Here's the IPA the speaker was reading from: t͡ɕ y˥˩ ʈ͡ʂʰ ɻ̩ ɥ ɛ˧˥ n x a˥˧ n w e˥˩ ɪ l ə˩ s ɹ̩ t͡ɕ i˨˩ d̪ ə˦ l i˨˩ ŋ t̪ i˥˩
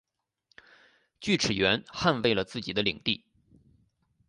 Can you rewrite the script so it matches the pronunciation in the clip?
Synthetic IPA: t͡ɕ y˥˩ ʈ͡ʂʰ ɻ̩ ɥ ɛ˧˥ n x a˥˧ n w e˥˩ ɪ l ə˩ t͡s ɹ̩ t͡ɕ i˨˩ d̪ ə˦ l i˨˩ ŋ t̪ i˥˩